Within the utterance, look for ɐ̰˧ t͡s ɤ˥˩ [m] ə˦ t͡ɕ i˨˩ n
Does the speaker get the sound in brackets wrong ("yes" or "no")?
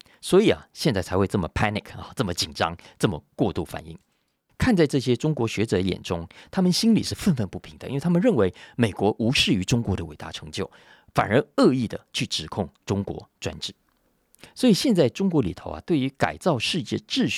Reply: no